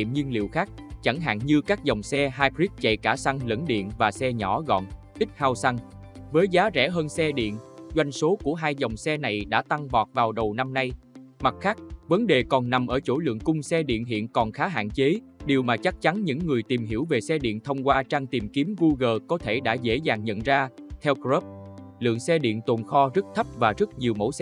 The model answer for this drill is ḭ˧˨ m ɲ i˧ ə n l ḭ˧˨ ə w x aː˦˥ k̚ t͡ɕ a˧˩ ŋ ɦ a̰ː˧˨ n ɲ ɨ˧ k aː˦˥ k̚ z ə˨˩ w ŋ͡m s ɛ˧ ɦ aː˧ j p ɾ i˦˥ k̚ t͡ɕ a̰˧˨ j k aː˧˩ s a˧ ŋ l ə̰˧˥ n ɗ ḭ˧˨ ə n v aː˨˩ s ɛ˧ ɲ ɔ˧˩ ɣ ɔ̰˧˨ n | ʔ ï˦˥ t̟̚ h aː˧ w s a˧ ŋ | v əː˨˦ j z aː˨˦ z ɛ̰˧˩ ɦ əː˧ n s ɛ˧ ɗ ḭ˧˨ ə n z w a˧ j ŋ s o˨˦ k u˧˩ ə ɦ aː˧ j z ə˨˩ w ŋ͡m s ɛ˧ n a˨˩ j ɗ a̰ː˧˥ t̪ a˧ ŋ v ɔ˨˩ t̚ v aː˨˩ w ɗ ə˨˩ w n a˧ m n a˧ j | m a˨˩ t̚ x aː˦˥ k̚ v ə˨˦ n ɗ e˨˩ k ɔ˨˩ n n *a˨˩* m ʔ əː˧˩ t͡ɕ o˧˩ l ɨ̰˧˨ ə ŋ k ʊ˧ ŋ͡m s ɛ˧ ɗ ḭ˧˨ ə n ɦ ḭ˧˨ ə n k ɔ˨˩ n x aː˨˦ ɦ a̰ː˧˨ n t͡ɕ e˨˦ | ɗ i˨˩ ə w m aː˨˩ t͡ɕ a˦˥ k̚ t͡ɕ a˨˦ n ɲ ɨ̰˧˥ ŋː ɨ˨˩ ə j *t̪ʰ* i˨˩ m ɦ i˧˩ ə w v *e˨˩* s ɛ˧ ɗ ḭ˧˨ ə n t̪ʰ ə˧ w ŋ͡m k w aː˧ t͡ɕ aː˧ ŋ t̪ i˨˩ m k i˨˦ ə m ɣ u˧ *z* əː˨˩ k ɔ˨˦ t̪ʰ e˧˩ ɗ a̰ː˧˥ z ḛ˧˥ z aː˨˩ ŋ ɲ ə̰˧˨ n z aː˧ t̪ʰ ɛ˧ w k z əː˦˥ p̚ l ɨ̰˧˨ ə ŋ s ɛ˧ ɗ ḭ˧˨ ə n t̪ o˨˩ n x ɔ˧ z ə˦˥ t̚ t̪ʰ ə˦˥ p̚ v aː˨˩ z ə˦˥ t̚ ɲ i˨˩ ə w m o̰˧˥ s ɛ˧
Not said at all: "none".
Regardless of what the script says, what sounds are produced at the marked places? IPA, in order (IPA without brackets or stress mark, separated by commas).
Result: a˨˩, t̪, e˨˩, ɣ